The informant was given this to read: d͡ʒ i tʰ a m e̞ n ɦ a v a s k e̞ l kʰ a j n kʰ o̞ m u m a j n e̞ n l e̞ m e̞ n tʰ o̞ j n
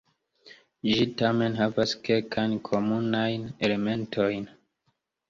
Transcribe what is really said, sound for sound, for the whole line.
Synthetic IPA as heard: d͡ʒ i t a m e̞ n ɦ a v a s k e̞ l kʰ a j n kʰ o̞ m u n a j n e̞ l e̞ m e̞ n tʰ o̞ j n